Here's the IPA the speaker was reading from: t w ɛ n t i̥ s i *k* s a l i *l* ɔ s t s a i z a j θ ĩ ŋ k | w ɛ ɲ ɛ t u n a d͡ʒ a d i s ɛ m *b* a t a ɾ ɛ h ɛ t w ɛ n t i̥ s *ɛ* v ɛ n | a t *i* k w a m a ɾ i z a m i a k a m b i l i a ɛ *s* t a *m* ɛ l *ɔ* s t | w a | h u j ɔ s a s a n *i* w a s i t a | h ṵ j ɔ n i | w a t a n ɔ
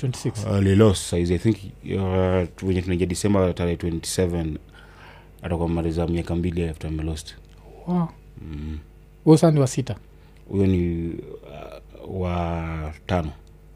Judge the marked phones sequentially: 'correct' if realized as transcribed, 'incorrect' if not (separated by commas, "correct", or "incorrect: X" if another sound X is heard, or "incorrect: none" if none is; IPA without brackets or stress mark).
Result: correct, correct, correct, correct, incorrect: a, incorrect: f, correct, correct, correct